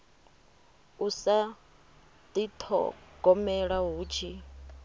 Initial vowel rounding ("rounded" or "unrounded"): rounded